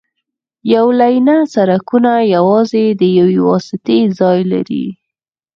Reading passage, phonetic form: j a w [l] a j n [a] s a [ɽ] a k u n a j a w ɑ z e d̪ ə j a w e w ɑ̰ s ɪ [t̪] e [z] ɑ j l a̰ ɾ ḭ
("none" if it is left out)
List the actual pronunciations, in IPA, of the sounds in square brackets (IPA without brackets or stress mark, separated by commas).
l, a, ɾ, t̪, z